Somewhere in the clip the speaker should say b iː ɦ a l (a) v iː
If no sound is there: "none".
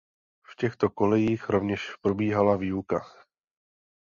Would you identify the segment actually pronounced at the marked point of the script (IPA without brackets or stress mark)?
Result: a